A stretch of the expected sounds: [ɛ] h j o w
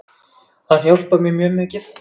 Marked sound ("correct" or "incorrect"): incorrect